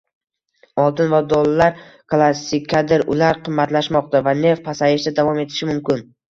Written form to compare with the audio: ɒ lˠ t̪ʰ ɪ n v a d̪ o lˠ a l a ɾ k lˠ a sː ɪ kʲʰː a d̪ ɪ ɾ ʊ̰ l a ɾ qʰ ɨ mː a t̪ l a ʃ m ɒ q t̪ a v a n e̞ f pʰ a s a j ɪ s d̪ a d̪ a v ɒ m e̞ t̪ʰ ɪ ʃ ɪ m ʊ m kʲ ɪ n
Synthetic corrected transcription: ɒ lˠ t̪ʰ ɪ n v a d̪ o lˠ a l a ɾ k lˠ a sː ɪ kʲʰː a d̪ ɪ ɾ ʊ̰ l a ɾ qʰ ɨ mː a t̪ l a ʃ m ɒ q t̪ a v a n e̞ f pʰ a s a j ɪ ʃ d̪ a d̪ a v ɒ m e̞ t̪ʰ ɪ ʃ ɪ m ʊ m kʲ ɪ n

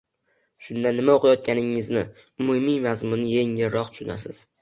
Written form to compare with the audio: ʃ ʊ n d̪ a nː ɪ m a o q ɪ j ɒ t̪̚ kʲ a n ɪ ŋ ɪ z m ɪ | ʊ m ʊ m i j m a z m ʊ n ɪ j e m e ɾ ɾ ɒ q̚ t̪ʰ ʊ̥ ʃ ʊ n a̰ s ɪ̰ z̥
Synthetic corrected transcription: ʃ ʊ n d̪ a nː ɪ m a o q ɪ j ɒ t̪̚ kʲ a n ɪ ŋ ɪ z n ɪ | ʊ m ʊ m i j m a z m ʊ n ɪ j e ŋ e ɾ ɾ ɒ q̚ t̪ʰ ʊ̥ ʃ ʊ n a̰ s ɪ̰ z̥

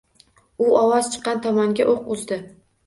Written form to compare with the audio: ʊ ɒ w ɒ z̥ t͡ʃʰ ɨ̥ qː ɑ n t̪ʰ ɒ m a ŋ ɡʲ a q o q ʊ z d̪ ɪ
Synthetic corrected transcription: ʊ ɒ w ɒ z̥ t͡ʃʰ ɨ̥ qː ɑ n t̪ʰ ɒ m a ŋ ɡʲ a ʔ o q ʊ z d̪ ɪ

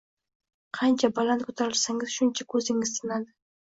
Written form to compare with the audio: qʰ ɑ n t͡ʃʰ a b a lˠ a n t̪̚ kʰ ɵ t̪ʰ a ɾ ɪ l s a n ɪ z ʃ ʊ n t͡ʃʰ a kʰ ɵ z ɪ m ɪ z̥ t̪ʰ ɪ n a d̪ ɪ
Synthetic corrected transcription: qʰ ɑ n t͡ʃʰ a b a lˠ a n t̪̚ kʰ ɵ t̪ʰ a ɾ ɪ l s a ŋ ɪ z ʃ ʊ n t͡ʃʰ a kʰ ɵ z ɪ ŋ ɪ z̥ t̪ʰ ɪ n a d̪ ɪ

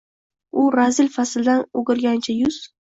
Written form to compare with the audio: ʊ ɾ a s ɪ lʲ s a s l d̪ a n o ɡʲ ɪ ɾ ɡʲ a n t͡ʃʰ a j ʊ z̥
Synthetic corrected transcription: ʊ ɾ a z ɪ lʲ f a s l d̪ a n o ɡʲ ɪ ɾ ɡʲ a n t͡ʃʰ a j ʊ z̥

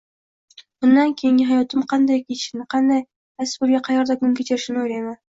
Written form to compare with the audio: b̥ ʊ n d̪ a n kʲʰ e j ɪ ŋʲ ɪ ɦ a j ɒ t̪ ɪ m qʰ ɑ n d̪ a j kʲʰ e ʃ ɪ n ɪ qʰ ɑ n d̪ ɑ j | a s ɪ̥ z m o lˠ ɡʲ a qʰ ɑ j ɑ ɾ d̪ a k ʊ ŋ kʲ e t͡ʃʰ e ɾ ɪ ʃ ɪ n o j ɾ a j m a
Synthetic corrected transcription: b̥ ʊ n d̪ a n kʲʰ e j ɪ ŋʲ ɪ ɦ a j ɒ t̪ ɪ m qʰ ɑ n d̪ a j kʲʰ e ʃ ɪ n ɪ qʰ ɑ n d̪ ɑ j | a s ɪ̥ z b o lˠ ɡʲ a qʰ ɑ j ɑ ɾ d̪ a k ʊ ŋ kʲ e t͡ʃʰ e ɾ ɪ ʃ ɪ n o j ɾ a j m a

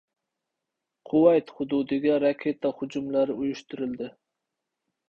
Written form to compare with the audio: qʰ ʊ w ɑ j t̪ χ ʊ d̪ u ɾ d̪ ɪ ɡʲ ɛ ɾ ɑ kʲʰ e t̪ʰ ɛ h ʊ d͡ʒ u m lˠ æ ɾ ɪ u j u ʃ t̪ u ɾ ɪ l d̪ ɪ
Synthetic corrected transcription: qʰ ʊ w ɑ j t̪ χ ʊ d̪ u d̪ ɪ ɡʲ ɛ ɾ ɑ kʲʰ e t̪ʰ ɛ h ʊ d͡ʒ u m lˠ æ ɾ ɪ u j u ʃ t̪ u ɾ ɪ l d̪ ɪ

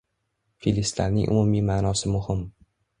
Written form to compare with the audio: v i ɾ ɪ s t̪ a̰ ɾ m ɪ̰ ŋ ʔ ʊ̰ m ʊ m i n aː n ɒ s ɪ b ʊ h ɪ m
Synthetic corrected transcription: f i l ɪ s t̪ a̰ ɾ n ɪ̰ ŋ ʔ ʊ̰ m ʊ m i m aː n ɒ s ɪ m ʊ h ɪ m

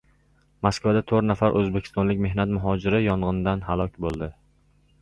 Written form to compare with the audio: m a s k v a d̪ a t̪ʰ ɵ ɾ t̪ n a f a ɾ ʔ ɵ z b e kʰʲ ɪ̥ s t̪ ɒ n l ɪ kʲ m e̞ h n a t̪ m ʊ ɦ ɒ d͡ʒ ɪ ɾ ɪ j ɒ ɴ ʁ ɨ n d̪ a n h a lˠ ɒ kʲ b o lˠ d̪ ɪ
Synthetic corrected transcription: m a s k v a d̪ a t̪ʰ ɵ ɾ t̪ n a f a ɾ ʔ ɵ z b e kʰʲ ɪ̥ s t̪ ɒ n l ɪ kʲ m e̞ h n a t̪ m ʊ ɦ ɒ d͡ʒ ɪ ɾ ɪ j ɒ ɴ ʁ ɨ n d̪ a n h a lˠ ɒ kʲ b o lˠ d̪ ɪ

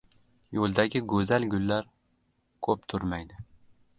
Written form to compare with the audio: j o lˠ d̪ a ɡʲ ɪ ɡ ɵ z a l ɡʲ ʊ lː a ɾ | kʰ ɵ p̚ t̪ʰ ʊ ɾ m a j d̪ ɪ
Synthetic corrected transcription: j o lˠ d̪ a ɡʲ ɪ ɡ ɵ z a l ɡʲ ʊ lː a ɾ | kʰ ɵ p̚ t̪ʰ ʊ ɾ m a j d̪ ɪ

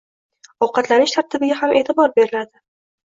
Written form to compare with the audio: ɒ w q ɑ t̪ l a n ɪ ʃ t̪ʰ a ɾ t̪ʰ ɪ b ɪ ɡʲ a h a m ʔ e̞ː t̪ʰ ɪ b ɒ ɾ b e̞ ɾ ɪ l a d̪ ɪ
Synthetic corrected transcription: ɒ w q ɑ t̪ l a n ɪ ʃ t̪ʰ a ɾ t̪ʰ ɪ b ɪ ɡʲ a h a m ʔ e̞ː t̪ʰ ɪ b ɒ ɾ b e̞ ɾ ɪ l a d̪ ɪ

